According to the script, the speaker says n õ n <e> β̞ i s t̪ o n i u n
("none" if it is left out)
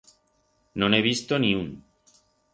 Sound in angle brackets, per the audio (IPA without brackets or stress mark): e